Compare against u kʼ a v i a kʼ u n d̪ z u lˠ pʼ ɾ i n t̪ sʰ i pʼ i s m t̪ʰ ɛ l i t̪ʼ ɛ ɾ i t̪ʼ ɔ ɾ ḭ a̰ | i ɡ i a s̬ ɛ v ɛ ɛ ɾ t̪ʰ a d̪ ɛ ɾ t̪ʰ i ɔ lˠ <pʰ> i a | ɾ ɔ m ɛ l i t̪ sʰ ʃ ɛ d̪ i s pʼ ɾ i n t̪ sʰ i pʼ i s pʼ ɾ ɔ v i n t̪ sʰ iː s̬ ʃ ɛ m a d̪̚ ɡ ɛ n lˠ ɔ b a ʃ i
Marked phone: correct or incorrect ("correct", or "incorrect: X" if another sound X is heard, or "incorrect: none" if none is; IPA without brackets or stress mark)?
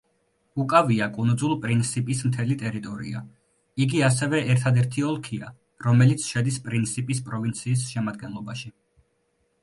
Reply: incorrect: kʰ